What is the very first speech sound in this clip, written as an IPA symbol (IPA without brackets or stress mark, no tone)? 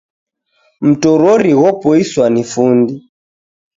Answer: m̩